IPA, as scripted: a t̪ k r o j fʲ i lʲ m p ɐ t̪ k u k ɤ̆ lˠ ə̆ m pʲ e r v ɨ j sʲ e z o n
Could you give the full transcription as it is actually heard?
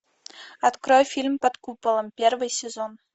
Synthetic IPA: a t̪ k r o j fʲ i lʲ m p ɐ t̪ k u p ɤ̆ lˠ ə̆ m pʲ e r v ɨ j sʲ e z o n